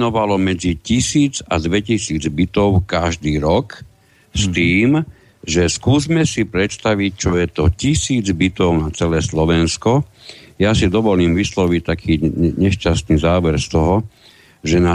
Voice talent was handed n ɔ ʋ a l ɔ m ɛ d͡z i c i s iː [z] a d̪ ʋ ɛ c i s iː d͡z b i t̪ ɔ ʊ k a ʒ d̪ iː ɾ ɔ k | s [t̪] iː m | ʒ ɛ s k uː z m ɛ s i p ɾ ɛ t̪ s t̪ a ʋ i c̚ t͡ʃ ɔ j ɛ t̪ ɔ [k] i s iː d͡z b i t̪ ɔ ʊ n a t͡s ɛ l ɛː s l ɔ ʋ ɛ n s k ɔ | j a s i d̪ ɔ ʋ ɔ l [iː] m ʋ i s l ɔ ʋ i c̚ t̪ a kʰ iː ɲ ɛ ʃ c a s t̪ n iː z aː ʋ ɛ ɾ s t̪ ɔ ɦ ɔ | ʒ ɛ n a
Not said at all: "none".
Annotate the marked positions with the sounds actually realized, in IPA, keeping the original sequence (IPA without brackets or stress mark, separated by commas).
d͡z, t̪, c, iː